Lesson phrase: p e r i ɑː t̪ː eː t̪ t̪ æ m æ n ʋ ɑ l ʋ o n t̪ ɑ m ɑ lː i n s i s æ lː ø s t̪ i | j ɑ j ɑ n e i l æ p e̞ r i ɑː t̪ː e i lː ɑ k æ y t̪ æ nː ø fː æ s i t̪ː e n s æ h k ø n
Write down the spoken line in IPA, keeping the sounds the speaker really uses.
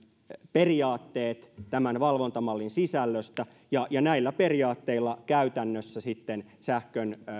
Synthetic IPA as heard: p e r i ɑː t̪ː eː t̪ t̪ æ m æ n ʋ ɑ l ʋ o n t̪ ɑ m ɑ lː i n s i s æ lː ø s t̪ æ | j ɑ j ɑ n æ i lː æ p e̞ r i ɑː t̪ː e i lː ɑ k æ y t̪ æ nː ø sː æ s i t̪ː e n s æ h k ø n